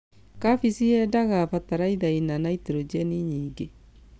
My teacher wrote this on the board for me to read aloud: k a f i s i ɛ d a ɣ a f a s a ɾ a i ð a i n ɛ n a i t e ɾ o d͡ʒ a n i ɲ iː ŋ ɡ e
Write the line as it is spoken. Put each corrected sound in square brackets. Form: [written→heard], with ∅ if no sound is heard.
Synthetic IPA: k a f i s i ɛ d a ɣ a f a [s→t] a ɾ a i ð a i n [ɛ→a] n a i t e ɾ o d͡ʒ [a→ɛ] n i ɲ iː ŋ ɡ e